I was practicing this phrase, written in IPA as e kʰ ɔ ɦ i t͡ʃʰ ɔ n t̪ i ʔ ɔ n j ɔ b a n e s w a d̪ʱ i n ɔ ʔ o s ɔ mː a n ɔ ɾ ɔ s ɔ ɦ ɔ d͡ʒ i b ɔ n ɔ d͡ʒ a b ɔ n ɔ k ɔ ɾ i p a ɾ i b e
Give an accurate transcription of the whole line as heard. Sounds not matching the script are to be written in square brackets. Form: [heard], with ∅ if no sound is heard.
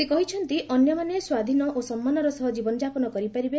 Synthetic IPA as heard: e [k] ɔ ɦ i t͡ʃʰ ɔ n t̪ i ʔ ɔ n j ɔ [m] a n e s w a d̪ʱ i n ɔ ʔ o s ɔ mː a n ɔ ɾ ɔ s ɔ ɦ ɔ d͡ʒ i b ɔ n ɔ d͡ʒ a [p] ɔ n ɔ k ɔ ɾ i p a ɾ i b e